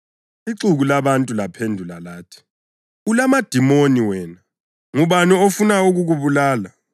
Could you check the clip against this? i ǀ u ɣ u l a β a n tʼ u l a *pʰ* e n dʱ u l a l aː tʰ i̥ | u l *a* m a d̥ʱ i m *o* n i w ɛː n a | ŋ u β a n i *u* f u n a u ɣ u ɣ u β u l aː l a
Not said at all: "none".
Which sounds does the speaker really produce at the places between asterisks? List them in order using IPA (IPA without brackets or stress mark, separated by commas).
pʰ, a, o, o